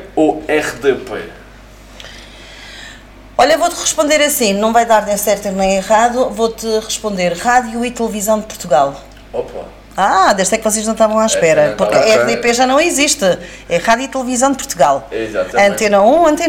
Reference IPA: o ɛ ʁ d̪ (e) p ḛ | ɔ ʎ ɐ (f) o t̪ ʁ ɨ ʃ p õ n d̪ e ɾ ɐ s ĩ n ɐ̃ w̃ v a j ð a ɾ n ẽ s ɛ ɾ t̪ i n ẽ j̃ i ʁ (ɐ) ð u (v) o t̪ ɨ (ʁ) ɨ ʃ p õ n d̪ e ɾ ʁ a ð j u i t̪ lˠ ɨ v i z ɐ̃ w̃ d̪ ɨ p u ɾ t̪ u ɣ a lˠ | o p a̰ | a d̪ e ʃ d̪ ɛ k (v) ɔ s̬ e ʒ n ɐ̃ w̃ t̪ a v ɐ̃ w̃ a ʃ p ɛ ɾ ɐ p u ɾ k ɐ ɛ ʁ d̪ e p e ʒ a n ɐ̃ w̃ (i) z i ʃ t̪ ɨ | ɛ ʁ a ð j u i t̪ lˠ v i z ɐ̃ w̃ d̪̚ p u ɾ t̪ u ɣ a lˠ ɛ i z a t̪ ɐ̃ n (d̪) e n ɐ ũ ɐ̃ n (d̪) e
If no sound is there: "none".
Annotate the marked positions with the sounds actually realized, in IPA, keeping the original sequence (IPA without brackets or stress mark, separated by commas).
e, v, a, v, ʁ, v, i, t̪, t̪